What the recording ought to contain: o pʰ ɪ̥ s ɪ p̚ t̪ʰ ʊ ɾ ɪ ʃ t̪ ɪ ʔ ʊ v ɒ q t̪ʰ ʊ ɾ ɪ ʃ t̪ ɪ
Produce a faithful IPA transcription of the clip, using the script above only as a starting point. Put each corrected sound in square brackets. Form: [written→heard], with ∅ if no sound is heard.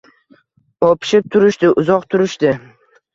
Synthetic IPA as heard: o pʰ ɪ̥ [s→ʃ] ɪ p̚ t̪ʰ ʊ ɾ ɪ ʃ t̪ ɪ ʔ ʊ [v→z] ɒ q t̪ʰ ʊ ɾ ɪ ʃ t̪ ɪ